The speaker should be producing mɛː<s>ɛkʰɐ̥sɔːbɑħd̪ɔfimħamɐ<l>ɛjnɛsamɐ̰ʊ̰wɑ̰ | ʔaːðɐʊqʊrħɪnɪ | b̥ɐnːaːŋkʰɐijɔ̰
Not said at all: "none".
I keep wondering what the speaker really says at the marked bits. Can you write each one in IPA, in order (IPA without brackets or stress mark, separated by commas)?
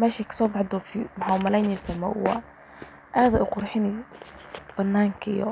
ʃ, l